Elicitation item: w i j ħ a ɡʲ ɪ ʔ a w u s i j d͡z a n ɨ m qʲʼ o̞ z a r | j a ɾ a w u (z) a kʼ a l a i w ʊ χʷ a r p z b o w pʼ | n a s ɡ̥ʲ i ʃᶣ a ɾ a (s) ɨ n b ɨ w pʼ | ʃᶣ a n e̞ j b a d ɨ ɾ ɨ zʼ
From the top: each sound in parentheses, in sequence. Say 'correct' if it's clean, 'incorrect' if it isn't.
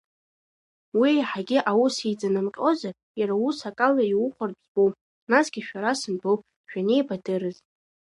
incorrect, correct

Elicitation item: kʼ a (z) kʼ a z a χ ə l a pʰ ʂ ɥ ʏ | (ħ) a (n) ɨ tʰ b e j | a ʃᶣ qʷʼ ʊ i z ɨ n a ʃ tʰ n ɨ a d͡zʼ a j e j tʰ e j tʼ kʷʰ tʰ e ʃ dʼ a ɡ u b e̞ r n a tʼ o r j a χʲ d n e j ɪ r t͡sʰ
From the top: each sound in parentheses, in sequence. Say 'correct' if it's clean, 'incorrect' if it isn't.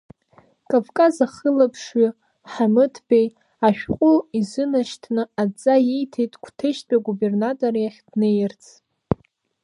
incorrect, correct, incorrect

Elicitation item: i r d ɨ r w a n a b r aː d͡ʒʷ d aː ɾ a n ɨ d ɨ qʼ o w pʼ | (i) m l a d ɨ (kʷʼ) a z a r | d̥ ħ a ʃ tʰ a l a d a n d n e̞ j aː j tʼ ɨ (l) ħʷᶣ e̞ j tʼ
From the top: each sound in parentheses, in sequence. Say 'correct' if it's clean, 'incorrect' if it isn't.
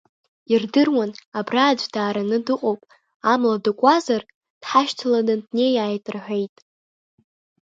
incorrect, correct, incorrect

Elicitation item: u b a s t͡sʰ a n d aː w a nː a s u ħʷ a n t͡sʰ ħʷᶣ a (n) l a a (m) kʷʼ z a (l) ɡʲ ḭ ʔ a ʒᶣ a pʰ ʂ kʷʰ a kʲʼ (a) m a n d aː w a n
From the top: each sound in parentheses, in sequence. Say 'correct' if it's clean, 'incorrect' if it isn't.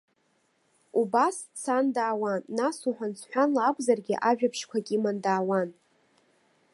correct, incorrect, incorrect, incorrect

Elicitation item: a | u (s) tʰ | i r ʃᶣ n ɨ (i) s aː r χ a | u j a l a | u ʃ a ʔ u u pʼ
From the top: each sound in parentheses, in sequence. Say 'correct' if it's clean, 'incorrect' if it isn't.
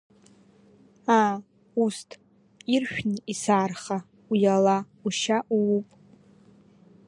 correct, correct

